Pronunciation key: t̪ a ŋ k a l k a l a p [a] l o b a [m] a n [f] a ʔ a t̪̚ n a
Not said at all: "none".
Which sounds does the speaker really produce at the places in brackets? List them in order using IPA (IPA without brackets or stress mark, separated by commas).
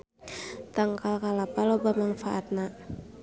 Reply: a, m, f